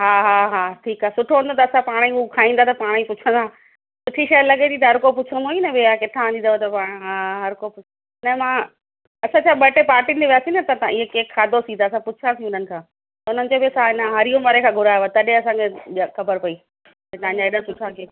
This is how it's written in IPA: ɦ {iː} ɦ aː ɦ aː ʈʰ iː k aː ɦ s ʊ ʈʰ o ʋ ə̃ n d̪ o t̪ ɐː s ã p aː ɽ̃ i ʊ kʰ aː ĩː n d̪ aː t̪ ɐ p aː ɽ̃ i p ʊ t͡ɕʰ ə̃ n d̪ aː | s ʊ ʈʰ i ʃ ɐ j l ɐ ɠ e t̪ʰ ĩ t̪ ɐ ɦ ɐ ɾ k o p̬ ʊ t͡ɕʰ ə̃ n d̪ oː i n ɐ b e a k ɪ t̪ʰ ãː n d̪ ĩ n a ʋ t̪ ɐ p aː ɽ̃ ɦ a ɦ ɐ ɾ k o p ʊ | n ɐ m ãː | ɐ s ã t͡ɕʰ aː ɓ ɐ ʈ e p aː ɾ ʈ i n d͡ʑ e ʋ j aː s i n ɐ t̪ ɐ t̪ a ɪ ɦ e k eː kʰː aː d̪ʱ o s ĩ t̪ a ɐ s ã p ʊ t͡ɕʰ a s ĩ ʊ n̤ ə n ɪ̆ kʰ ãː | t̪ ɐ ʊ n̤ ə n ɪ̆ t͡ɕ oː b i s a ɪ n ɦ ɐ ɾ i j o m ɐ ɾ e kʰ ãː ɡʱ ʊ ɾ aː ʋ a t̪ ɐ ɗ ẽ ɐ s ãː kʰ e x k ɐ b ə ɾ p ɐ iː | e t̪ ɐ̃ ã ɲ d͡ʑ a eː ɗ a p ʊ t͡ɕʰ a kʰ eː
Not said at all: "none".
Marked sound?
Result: aː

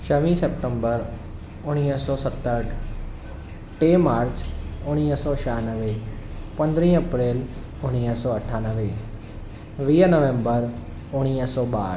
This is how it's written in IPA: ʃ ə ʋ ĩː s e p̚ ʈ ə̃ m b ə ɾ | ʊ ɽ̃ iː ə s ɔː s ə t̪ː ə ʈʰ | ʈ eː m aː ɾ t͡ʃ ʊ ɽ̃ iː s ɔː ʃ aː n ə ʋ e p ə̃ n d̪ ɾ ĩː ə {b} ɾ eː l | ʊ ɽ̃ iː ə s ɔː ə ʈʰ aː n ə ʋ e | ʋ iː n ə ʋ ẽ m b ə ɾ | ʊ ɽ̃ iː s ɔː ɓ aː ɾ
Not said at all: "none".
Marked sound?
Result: p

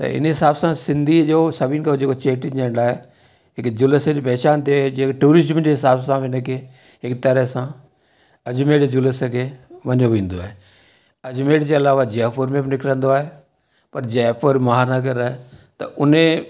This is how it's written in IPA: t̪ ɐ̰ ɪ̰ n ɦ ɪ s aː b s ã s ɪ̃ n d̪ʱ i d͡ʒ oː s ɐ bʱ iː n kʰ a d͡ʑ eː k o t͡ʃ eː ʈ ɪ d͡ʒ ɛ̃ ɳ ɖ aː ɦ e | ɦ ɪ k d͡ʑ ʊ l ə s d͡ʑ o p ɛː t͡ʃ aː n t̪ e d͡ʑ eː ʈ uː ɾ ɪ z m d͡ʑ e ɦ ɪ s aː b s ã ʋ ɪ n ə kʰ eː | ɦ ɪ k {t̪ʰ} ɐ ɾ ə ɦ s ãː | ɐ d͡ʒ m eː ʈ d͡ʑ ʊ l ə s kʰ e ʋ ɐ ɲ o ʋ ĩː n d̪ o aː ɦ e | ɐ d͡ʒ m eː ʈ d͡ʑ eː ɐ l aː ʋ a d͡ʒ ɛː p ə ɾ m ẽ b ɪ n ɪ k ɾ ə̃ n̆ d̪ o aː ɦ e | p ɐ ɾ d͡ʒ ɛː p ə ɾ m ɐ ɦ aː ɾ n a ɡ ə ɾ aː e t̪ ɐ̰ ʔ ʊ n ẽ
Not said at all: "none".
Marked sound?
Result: t̪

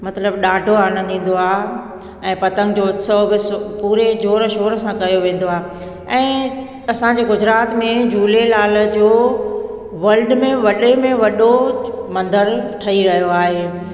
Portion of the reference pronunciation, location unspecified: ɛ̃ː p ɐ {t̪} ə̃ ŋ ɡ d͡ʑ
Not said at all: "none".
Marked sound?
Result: t̪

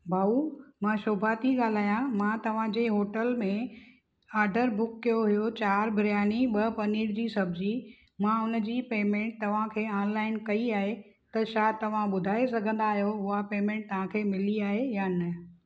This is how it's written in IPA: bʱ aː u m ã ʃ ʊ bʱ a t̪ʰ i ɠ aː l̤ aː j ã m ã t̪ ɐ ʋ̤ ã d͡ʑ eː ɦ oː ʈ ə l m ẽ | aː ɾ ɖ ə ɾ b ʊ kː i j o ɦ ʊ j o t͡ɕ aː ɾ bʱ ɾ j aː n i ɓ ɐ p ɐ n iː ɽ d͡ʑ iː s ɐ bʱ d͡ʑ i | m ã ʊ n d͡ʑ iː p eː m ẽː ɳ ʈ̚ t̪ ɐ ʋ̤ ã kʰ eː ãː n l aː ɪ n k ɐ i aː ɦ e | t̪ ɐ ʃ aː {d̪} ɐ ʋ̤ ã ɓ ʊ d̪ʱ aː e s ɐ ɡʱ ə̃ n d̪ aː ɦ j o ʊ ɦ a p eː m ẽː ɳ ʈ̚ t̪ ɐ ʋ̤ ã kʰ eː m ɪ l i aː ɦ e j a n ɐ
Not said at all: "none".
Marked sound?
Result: t̪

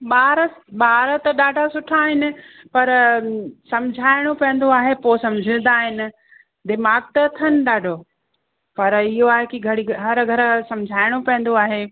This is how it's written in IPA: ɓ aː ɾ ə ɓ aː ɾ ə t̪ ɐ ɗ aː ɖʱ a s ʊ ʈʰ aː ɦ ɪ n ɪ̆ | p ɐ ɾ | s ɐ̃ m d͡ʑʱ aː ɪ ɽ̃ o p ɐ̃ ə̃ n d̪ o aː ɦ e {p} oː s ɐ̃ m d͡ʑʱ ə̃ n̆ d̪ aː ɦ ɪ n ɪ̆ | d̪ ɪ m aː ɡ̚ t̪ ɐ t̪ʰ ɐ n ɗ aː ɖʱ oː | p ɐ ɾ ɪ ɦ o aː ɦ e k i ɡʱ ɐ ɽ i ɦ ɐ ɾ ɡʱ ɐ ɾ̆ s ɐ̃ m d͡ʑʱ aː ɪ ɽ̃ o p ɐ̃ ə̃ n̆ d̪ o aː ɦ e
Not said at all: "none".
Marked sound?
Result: p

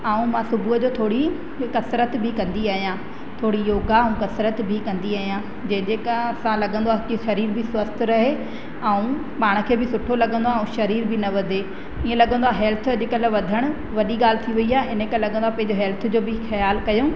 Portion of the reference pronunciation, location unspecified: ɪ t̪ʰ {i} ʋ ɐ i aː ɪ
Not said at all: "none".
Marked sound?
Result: i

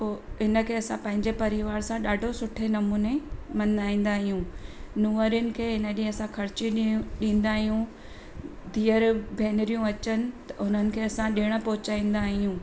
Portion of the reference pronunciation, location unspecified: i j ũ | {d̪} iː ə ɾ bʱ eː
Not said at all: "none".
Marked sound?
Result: d̪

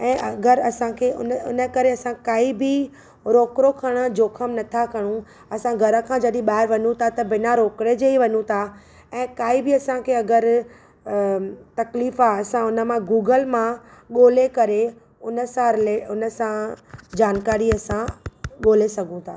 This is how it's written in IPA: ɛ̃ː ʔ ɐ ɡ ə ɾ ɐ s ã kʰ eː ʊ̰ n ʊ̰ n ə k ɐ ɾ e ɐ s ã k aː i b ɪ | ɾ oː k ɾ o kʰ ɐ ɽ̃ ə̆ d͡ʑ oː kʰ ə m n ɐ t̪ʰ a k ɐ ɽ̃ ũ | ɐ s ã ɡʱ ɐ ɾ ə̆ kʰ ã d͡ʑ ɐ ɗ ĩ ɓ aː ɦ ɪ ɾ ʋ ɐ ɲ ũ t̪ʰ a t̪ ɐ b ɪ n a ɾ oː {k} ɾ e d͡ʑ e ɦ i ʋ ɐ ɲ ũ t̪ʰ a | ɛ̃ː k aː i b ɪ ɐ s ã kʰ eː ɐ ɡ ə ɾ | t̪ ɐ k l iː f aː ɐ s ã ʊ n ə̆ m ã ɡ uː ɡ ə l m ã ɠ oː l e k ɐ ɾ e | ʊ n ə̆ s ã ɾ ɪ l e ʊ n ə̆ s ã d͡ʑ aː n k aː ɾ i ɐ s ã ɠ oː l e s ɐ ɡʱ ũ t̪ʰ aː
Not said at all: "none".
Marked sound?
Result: k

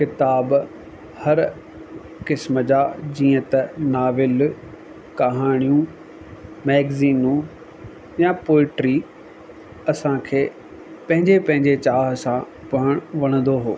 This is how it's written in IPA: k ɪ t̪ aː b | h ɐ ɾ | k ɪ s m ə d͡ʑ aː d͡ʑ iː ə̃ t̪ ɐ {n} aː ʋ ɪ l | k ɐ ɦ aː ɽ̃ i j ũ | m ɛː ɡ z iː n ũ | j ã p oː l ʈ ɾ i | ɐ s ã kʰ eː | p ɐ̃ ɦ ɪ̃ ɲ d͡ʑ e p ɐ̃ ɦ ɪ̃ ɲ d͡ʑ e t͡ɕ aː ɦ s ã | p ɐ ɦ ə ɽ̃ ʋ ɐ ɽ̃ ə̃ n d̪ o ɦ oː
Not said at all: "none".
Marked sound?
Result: n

